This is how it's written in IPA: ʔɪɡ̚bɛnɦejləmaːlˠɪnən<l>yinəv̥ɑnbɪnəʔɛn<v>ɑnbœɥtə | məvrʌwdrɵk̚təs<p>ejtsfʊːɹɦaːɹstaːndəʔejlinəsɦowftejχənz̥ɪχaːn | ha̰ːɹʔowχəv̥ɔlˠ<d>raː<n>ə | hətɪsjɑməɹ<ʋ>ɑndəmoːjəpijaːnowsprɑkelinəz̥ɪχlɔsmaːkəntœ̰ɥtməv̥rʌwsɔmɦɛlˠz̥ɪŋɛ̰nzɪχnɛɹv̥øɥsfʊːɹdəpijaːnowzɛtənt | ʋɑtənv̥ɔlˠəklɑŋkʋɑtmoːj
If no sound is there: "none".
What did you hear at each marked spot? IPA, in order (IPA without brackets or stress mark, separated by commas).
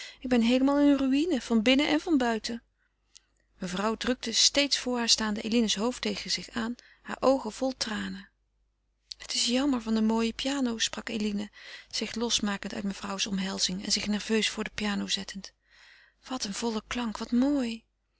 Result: r, v, t, t, n, v